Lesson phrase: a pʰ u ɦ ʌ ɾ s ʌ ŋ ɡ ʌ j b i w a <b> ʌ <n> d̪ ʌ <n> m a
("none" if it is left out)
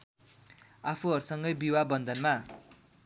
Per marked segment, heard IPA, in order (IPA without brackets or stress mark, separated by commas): b, n, n